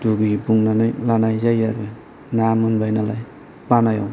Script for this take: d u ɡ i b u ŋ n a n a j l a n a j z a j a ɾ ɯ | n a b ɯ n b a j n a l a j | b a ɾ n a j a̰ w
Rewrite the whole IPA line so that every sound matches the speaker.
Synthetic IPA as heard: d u ɡ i b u ŋ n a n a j l a n a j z a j a ɾ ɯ | n a m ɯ n b a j n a l a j | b a n a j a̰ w